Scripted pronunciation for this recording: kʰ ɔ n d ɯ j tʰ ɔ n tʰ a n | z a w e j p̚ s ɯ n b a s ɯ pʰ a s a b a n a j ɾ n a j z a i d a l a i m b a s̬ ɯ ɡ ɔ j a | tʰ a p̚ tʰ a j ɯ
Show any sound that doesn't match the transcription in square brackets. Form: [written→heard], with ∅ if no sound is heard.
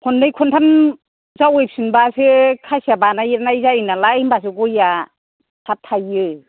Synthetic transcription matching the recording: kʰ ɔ n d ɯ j [tʰ→kʰ] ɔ n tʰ a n | z a w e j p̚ s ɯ n b a s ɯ [pʰ→kʰ] a s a b a n a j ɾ n a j z a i [d→n] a l a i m b a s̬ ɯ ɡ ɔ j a | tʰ a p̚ tʰ a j ɯ